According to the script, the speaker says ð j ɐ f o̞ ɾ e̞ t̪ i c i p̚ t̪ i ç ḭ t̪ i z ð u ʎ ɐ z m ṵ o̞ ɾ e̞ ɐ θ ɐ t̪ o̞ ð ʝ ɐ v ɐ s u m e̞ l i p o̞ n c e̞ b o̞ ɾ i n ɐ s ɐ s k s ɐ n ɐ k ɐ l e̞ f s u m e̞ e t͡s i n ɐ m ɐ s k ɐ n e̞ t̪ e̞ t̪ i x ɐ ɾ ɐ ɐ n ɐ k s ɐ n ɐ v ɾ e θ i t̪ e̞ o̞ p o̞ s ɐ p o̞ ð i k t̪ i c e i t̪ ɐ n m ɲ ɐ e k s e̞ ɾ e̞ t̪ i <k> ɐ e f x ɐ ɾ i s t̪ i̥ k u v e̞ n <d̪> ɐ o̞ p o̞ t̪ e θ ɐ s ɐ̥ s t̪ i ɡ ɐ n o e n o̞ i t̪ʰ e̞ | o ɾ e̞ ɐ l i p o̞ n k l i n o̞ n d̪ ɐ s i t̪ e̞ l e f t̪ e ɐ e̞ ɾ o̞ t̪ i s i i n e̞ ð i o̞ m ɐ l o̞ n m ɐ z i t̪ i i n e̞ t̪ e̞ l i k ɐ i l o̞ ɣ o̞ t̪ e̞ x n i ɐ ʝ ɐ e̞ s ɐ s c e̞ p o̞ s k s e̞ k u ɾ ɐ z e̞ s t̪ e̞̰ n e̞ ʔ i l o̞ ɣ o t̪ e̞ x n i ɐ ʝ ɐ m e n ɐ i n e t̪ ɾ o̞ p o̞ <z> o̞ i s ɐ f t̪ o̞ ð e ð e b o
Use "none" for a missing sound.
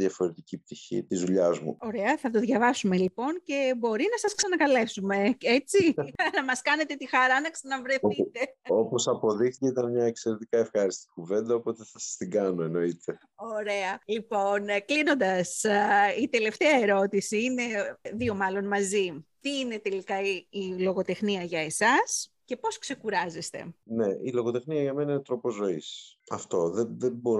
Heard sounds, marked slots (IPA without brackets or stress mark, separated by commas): k, d̪, z